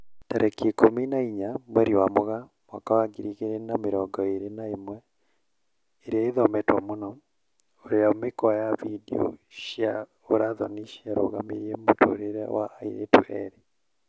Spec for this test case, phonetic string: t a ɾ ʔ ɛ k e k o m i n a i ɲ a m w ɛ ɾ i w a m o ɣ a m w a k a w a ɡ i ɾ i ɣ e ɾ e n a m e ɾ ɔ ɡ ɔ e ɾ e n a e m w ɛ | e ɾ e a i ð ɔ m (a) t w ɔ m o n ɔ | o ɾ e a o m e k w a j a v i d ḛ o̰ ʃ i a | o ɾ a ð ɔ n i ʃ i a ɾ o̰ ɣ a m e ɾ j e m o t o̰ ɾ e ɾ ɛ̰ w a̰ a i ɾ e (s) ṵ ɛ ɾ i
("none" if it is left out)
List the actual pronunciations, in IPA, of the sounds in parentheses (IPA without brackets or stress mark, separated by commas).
ɛ, t